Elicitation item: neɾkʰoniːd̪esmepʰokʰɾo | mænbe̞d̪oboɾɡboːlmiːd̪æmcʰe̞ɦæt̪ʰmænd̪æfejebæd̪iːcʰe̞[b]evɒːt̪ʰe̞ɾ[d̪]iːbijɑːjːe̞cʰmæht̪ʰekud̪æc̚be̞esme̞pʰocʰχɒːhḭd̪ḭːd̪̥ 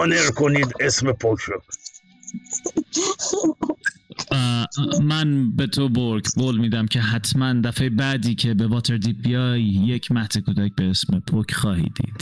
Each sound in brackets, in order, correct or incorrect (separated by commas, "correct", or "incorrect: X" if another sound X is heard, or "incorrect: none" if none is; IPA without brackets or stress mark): correct, correct